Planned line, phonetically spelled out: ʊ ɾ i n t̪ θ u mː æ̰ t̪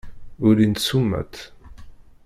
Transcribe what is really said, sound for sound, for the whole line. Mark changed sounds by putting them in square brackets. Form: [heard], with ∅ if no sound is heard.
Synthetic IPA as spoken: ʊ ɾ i n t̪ [s] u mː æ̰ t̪